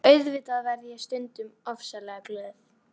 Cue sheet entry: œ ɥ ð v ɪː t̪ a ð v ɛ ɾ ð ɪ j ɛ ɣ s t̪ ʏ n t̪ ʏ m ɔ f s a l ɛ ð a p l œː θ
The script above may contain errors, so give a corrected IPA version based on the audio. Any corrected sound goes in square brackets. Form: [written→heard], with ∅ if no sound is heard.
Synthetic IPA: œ ɥ ð v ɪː t̪ a ð v ɛ ɾ ð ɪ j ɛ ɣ s t̪ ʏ n t̪ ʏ m ɔ f s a l ɛ [ð→ɣ] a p l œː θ

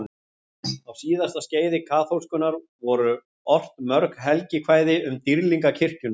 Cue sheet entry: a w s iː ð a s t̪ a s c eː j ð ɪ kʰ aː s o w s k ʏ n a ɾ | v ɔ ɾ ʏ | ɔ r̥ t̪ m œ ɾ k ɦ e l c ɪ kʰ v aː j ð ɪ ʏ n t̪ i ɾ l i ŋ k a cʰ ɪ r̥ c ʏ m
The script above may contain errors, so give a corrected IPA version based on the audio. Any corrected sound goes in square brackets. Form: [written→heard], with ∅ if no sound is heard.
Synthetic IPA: a w s iː ð a s t̪ a s c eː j ð ɪ kʰ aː [s→θ] o w s k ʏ n a ɾ | v ɔ ɾ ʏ | ɔ r̥ t̪ m œ ɾ k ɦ [e→ɛ] l c ɪ kʰ v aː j ð ɪ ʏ [n→m] t̪ i ɾ l i ŋ k a cʰ ɪ r̥ c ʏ [m→n]

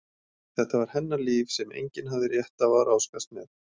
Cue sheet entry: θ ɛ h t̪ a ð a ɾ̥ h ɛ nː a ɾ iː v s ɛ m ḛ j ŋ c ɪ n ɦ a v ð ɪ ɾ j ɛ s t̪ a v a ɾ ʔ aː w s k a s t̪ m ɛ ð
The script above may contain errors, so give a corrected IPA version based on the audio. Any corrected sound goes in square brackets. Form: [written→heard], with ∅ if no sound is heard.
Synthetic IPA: θ ɛ h t̪ a [ð→v] a ɾ̥ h ɛ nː a [ɾ→l] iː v s ɛ m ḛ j [ŋ→ɲ] c ɪ n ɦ a v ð ɪ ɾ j ɛ [s→h] t̪ a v a ɾ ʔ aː w s k a s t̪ m ɛ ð

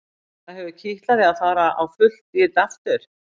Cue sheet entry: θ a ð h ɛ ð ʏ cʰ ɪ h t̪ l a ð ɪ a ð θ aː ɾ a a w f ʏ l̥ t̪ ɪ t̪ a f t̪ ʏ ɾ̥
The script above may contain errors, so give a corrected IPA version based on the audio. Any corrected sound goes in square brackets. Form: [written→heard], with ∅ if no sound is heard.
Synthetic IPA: θ a ð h ɛ [ð→v] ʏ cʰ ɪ h t̪ l a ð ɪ a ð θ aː ɾ a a w f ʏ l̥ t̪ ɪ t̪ a f t̪ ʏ ɾ̥

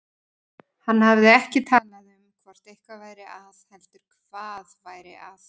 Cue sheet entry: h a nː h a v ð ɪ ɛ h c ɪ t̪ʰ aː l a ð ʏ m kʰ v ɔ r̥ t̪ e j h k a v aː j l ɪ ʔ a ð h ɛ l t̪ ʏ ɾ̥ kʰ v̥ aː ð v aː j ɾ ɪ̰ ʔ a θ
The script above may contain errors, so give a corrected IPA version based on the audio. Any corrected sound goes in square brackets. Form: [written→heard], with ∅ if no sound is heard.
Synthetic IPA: h a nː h a v ð ɪ ɛ h c ɪ t̪ʰ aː l a ð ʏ m kʰ v ɔ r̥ t̪ e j h k a v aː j [l→ɾ] ɪ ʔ a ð h ɛ l t̪ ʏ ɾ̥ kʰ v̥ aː ð v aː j ɾ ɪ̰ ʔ a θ

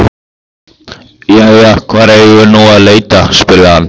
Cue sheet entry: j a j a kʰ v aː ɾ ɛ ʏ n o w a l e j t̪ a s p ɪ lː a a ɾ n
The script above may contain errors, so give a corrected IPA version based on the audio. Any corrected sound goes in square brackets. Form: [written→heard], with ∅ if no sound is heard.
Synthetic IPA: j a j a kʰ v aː ɾ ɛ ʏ n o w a l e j t̪ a s p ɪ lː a a [ɾ→∅] n

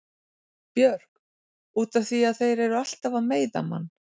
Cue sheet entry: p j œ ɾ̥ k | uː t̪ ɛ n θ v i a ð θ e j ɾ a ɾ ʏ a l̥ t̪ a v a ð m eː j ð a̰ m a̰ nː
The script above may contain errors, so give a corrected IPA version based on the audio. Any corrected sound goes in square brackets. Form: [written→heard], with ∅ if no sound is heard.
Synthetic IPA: p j œ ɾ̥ k | uː t̪ [ɛ→a] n θ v i a ð θ e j ɾ [a→ɛ] ɾ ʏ a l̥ t̪ a v a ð m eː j ð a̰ m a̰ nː

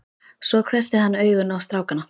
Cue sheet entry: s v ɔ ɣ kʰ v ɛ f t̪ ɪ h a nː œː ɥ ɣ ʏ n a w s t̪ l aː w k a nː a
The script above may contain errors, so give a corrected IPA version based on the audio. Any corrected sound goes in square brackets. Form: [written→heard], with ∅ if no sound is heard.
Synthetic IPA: s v ɔ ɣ kʰ v ɛ [f→s] t̪ ɪ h a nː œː ɥ ɣ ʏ n a w s t̪ [l→ɾ] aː w k a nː a

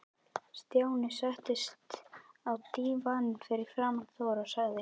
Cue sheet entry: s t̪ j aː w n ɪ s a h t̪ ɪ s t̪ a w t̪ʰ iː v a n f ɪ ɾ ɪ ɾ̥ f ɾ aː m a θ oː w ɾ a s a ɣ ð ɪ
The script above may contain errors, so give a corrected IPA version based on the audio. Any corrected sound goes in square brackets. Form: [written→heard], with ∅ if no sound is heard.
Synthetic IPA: s t̪ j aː w n ɪ s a h t̪ ɪ s t̪ a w [t̪ʰ→t̪] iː v a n f ɪ ɾ ɪ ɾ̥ f ɾ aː m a θ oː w ɾ a s a ɣ ð ɪ

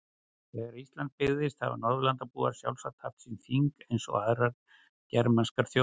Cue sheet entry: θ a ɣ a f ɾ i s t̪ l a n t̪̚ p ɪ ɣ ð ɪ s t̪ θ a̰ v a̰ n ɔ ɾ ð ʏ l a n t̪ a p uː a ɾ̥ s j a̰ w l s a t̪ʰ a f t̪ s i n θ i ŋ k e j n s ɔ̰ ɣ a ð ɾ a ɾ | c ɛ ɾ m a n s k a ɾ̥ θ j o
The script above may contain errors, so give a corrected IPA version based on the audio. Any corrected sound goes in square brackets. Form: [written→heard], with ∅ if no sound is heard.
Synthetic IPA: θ [a→ɛ] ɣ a [f→∅] ɾ i s t̪ l a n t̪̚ p ɪ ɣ ð ɪ s t̪ θ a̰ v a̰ n ɔ ɾ ð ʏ l a n t̪ a p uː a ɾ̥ s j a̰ w l s a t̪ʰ a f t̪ s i n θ i ŋ k e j n s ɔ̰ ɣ a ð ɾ a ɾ | c ɛ ɾ m a n s k a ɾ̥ θ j o

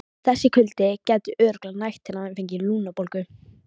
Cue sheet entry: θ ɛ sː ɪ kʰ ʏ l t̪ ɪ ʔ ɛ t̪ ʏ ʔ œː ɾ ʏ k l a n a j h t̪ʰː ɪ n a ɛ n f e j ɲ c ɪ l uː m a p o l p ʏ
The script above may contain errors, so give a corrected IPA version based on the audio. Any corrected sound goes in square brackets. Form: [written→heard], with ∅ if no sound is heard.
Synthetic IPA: θ ɛ sː ɪ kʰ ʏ l t̪ ɪ [ʔ→c] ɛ t̪ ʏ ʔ œː ɾ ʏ k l a n a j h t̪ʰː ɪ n a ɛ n f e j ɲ c ɪ l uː [m→n] a p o l [p→k] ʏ

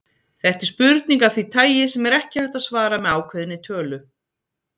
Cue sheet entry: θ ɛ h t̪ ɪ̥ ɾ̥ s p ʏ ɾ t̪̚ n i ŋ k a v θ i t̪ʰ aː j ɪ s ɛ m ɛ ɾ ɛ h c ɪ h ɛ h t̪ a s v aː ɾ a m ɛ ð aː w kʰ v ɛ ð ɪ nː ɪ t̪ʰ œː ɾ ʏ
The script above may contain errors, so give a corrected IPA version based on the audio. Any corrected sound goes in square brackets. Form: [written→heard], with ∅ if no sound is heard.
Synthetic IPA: θ ɛ h t̪ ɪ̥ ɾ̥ s p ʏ ɾ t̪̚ n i ŋ k a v θ i t̪ʰ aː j ɪ s ɛ m ɛ ɾ ɛ h c ɪ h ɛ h t̪ a s v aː ɾ a m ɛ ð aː w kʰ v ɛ ð ɪ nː ɪ t̪ʰ œː [ɾ→l] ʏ

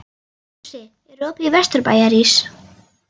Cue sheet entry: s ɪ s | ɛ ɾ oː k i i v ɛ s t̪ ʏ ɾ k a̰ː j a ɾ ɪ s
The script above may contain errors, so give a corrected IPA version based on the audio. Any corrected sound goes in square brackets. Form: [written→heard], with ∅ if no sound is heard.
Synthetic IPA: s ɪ [s→∅] | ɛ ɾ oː [k→p] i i v ɛ s t̪ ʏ ɾ [k→p] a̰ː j a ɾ [ɪ→i] s

